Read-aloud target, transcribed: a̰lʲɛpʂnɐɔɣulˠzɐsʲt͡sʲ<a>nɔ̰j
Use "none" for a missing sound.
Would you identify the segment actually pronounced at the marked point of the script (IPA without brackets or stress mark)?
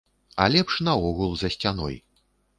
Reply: a